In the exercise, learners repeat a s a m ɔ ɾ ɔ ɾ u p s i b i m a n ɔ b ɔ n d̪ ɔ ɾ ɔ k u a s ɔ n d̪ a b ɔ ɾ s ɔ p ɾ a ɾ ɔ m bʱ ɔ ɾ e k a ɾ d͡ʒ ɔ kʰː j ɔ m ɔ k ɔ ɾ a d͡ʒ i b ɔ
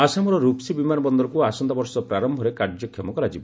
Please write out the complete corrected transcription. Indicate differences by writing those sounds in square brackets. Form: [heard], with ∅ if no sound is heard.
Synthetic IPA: a s a m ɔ ɾ ɔ ɾ u p s i b i m a n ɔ b ɔ n d̪ ɔ ɾ ɔ k u a s ɔ n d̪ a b ɔ ɾ s ɔ p ɾ a ɾ ɔ m bʱ ɔ ɾ e k a ɾ d͡ʒ ɔ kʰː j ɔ m ɔ k ɔ ɾ a d͡ʒ i b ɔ